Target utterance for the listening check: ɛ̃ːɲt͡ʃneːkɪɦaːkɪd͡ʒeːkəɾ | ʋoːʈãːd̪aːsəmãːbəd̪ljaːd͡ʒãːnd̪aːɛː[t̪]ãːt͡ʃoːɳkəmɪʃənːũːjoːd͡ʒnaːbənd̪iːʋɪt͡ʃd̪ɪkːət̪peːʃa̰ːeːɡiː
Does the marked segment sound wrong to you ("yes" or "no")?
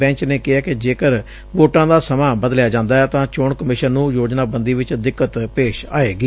no